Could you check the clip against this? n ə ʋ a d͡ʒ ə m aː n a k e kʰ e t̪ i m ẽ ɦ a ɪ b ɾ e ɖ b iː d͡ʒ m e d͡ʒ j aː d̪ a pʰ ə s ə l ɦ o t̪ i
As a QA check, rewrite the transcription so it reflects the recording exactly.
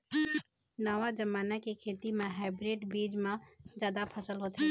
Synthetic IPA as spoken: n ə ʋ a d͡ʒ ə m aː n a k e kʰ e t̪ i m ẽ ɦ a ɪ b ɾ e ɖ b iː d͡ʒ m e d͡ʒ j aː d̪ a pʰ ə s ə l ɦ o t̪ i